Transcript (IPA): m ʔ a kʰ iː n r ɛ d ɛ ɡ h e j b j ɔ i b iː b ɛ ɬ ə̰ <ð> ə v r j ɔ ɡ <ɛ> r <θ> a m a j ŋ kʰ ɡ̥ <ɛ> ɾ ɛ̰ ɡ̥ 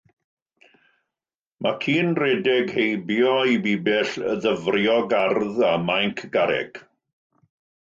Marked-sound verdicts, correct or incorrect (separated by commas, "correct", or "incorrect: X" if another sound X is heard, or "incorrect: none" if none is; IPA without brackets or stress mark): correct, incorrect: a, incorrect: ð, incorrect: a